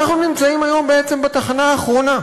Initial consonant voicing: voiceless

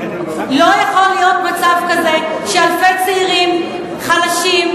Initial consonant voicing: voiced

